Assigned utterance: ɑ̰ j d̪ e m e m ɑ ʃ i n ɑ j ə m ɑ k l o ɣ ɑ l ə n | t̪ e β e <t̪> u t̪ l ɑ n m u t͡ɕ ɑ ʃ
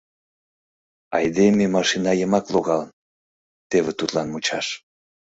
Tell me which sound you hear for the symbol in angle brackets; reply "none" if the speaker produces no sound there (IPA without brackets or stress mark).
t̪